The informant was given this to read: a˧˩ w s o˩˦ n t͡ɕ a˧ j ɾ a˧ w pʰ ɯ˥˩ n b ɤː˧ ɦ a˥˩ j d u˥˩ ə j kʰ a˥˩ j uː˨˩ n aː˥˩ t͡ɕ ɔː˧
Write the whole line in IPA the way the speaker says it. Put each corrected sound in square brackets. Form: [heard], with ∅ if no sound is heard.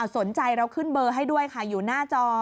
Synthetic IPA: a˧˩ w s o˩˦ n t͡ɕ a˧ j ɾ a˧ w [kʰ] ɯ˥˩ n b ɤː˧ ɦ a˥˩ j d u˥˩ ə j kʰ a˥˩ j uː˨˩ n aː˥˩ t͡ɕ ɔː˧